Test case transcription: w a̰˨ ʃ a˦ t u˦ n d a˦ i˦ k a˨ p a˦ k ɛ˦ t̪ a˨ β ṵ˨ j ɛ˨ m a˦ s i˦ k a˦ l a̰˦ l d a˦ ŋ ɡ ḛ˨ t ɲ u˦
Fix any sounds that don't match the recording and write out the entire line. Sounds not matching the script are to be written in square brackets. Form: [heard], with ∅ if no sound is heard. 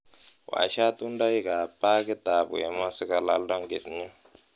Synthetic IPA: w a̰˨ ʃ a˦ t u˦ n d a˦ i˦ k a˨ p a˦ k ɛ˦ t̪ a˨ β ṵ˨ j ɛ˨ m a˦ s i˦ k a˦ l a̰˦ l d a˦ ŋ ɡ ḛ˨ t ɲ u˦